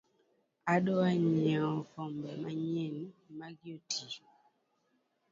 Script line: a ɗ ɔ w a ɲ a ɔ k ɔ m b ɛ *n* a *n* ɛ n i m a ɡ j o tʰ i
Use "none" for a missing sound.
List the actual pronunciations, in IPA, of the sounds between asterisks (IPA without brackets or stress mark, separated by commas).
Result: m, ɲ